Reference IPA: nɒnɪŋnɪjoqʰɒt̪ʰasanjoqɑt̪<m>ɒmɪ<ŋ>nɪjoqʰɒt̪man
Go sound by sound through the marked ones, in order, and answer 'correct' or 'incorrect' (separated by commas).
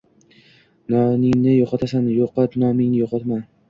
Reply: incorrect, correct